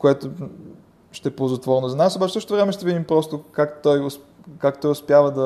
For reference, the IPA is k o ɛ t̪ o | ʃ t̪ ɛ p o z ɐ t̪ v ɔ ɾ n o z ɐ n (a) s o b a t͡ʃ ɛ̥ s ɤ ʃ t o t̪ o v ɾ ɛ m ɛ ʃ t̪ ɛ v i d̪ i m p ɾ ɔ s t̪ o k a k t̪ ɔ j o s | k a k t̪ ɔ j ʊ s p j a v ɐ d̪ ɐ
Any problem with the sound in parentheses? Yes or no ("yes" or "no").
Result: no